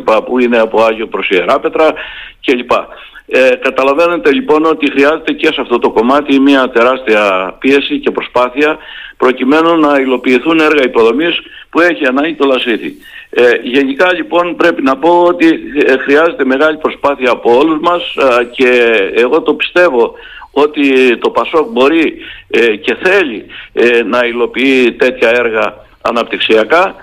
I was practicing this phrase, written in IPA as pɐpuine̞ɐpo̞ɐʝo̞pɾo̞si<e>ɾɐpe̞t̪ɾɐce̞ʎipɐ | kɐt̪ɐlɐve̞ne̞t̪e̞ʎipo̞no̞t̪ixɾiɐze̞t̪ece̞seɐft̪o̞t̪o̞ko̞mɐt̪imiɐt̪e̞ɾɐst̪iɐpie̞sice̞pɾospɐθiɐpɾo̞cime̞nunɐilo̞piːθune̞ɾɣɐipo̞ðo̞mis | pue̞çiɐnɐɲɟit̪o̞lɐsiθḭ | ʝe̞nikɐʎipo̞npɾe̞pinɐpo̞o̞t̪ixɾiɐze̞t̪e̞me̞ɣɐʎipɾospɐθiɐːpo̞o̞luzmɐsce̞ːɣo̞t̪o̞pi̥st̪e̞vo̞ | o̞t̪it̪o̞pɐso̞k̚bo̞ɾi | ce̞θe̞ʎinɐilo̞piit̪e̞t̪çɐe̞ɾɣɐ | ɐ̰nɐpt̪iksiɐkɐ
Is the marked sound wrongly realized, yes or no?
no